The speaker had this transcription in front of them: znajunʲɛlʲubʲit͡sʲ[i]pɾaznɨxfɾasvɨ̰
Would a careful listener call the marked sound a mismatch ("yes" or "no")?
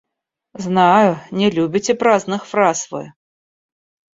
yes